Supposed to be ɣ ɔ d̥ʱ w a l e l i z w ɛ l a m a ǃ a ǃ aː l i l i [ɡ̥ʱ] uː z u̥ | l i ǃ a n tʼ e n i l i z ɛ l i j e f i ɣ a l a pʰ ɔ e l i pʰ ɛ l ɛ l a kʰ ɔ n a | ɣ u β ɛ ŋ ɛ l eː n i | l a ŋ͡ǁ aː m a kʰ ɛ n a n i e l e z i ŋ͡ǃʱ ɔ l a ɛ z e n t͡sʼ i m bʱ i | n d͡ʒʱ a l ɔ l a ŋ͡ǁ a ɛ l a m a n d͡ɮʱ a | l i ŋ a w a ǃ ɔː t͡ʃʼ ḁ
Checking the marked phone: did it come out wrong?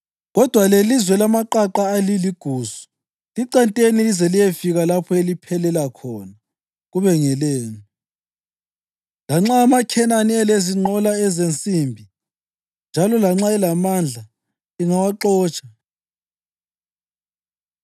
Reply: no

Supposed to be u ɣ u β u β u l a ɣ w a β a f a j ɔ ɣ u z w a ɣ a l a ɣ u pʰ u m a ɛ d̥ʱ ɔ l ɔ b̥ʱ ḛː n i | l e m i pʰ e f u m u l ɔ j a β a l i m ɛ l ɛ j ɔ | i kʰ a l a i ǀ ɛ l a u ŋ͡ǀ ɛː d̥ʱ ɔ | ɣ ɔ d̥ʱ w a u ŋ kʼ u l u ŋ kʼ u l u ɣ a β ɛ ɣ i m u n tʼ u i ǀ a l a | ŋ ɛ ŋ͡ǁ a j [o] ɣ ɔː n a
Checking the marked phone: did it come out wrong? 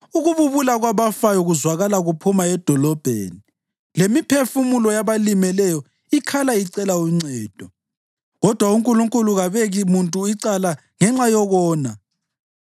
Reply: yes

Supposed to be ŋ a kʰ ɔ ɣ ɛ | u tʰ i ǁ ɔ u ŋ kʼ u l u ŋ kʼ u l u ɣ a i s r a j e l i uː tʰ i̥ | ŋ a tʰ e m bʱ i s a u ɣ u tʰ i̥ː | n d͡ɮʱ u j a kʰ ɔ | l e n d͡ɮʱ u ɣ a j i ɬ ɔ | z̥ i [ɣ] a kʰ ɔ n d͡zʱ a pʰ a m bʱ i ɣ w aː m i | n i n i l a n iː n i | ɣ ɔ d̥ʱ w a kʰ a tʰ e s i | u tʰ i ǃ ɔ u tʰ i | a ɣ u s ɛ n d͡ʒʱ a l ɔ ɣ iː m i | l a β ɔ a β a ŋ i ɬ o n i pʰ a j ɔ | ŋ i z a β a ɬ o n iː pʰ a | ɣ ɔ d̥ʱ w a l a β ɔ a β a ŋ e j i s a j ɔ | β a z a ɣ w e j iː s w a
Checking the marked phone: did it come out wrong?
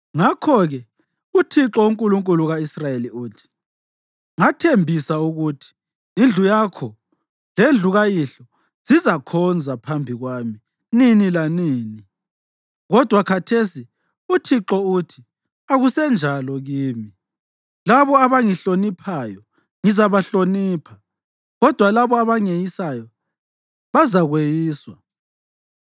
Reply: yes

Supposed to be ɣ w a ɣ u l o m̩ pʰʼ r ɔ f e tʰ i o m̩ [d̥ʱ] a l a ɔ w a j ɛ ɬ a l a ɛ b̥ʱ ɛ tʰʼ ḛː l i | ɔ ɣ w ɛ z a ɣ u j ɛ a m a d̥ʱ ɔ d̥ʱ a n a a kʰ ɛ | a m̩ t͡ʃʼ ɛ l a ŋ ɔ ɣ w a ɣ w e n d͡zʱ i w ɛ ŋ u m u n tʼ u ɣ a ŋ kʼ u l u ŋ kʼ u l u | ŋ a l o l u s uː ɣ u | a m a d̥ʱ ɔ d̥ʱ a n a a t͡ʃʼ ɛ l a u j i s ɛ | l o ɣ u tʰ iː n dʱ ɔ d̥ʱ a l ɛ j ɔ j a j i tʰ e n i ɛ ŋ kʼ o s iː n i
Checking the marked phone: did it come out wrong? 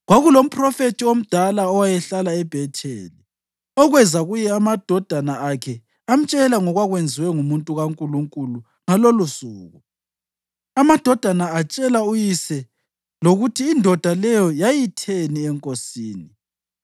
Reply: no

